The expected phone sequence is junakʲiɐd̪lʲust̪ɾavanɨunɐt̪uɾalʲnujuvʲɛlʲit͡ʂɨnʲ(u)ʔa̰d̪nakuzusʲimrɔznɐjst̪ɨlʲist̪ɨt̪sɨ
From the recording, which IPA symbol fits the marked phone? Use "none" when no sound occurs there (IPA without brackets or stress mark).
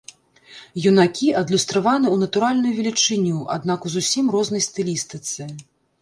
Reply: u